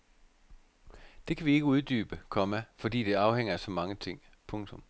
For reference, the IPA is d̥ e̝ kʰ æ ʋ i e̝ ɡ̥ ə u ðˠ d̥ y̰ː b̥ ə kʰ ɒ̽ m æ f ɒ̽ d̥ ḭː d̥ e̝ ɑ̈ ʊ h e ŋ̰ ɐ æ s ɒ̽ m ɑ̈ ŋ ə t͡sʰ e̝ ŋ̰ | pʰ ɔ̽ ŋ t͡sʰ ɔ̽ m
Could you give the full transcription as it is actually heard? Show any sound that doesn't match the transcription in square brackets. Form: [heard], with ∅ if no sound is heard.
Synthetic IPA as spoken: d̥ e̝ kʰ æ ʋ i e̝ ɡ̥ ə u ðˠ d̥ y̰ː b̥ ə kʰ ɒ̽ m æ f ɒ̽ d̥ ḭː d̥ e̝ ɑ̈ ʊ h e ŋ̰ ɐ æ s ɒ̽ m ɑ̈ ŋ ə t͡sʰ e̝ ŋ̰ | pʰ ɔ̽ ŋ t͡sʰ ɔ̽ m